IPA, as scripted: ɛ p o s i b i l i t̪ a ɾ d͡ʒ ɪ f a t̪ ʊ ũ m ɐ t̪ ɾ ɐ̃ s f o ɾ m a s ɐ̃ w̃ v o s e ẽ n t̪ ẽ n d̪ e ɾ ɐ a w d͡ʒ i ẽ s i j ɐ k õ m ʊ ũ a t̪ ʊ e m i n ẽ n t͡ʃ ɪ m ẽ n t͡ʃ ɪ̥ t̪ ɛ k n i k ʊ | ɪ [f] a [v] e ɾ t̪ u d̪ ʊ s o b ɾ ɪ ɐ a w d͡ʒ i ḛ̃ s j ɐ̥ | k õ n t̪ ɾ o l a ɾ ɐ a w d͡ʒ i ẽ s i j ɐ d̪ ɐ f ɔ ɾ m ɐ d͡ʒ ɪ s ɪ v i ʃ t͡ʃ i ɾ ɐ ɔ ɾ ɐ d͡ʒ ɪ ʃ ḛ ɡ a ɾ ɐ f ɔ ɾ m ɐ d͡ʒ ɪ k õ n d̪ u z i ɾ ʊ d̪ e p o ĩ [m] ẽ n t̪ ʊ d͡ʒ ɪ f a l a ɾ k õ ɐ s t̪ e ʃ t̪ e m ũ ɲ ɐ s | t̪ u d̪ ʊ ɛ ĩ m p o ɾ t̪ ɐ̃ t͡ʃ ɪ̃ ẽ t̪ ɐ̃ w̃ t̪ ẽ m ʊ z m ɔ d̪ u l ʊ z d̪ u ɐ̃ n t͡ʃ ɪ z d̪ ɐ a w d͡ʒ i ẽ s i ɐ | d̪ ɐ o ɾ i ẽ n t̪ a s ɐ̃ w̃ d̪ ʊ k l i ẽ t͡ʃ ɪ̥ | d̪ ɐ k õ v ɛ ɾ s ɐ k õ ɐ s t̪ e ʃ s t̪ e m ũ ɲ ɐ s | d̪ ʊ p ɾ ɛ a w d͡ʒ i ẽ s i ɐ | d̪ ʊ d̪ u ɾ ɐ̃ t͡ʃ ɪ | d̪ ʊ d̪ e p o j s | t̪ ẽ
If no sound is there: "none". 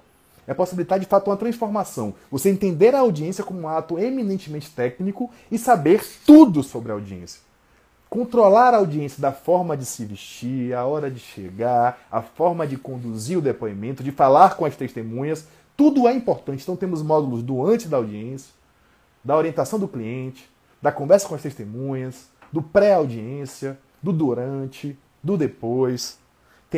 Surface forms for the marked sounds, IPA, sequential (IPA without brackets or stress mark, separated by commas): s, b, m